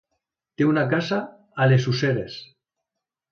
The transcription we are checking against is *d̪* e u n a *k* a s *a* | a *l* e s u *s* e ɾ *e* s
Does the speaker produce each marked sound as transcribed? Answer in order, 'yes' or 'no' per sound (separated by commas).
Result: no, yes, yes, yes, yes, yes